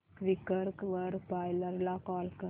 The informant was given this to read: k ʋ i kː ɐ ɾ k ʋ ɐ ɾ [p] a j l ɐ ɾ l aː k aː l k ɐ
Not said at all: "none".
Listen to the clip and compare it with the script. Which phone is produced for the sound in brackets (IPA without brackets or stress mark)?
p